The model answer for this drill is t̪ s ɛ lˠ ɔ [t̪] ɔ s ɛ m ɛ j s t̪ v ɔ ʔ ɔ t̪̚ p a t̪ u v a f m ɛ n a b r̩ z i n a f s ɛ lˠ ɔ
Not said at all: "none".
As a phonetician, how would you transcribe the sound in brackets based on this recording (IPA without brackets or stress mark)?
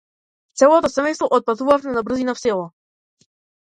t̪